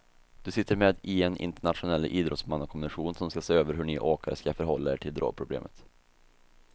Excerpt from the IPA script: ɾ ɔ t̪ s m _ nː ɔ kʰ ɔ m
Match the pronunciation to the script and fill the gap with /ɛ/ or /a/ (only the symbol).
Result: a